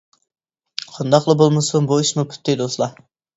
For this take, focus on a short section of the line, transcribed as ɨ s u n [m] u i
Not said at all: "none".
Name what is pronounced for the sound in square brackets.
b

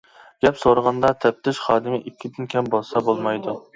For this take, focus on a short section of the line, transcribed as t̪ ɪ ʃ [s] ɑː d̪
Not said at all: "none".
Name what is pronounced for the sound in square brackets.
χ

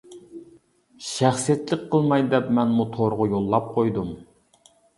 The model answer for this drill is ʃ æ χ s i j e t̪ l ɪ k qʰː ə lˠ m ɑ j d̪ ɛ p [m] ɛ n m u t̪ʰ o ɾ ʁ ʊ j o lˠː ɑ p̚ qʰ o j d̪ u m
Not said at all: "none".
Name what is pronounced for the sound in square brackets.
m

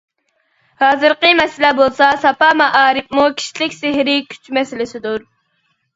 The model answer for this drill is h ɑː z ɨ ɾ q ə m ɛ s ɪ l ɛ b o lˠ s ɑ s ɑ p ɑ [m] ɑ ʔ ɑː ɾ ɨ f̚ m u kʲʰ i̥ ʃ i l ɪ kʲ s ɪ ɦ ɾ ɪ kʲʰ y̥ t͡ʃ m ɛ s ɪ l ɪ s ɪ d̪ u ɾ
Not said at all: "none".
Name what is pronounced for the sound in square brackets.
m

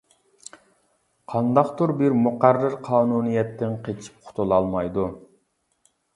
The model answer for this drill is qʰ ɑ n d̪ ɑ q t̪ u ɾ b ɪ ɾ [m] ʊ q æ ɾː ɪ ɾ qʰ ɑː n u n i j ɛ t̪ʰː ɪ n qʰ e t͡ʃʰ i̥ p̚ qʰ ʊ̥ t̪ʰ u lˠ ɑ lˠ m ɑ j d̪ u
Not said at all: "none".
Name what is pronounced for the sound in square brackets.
m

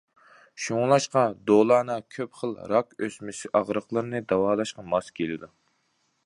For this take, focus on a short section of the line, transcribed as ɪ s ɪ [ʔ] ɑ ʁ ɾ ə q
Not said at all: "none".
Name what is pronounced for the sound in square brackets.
ʔ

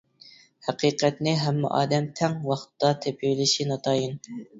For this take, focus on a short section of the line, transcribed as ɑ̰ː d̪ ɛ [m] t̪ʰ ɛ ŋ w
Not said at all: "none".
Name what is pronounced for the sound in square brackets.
m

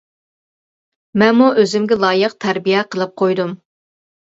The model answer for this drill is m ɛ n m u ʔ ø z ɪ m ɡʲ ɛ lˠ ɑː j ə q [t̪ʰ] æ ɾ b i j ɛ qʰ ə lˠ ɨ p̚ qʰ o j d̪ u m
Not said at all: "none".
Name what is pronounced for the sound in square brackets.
t̪ʰ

